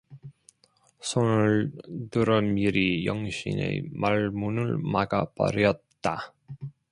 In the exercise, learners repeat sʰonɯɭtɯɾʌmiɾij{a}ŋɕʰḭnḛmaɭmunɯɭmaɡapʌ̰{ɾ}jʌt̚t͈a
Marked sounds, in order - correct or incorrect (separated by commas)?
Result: incorrect, correct